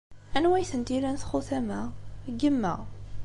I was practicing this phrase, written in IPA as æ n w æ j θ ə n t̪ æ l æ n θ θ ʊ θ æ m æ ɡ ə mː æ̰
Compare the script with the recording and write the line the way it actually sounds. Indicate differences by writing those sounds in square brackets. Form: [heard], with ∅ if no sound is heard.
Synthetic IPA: æ n w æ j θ ə n t̪ [i] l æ n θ [χ] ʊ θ æ m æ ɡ ə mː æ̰